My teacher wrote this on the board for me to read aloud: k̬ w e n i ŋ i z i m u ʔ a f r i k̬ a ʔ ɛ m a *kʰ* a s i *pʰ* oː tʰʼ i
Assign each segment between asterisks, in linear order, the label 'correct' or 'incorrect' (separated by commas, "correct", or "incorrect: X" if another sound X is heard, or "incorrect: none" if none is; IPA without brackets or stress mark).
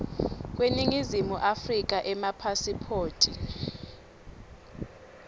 incorrect: pʰ, correct